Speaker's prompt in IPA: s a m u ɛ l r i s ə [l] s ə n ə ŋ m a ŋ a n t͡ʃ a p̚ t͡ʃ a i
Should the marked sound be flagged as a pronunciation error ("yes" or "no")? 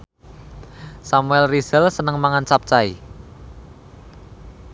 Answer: no